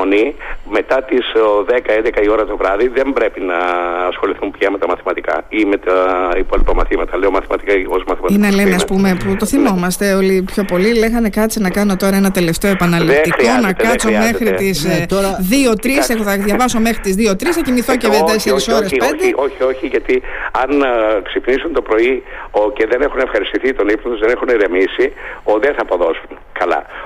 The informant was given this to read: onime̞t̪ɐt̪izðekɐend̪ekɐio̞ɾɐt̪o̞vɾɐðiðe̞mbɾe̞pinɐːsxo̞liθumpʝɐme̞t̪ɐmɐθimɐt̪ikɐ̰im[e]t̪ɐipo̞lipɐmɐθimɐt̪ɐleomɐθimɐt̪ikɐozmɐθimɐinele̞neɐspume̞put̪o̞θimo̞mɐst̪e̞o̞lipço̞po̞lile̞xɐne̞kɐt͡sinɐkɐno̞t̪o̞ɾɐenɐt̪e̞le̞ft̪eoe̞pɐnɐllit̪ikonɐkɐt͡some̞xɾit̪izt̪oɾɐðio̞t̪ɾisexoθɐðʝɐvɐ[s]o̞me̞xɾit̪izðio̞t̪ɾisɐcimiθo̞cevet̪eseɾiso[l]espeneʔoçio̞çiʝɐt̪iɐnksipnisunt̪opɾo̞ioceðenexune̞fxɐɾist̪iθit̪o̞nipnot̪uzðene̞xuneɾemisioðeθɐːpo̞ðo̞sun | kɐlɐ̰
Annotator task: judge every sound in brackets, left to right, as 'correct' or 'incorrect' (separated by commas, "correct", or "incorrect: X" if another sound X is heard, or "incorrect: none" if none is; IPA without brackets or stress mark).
correct, correct, incorrect: ɾ